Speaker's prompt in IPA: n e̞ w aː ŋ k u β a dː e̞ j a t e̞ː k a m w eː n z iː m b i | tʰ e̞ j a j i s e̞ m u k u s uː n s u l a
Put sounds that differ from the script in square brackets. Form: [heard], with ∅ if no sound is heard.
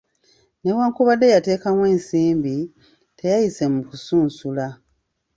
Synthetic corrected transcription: n e̞ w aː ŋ k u β a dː e̞ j a t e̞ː k a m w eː n [s] iː m b i | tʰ e̞ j a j i s e̞ m u k u s uː n s u l a